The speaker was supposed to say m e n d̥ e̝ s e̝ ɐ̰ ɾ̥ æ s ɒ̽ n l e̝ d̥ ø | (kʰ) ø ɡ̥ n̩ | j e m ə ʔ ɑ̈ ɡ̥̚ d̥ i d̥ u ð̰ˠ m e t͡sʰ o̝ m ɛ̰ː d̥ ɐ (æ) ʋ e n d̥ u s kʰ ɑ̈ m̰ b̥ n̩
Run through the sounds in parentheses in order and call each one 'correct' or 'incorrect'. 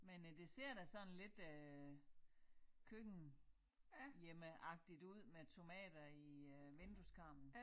correct, incorrect: i

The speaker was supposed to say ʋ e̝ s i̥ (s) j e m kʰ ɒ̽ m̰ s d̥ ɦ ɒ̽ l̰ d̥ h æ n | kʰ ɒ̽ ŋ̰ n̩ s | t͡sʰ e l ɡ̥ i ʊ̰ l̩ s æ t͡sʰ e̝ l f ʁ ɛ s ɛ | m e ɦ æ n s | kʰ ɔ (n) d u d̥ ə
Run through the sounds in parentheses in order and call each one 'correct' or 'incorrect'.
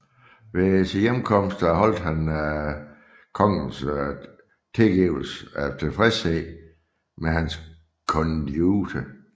incorrect: none, correct

